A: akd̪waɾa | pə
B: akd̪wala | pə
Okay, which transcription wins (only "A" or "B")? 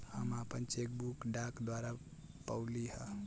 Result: A